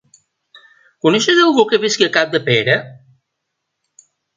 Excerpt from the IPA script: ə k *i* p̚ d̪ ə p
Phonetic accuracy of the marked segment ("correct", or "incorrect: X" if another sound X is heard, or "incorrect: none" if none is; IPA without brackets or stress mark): incorrect: a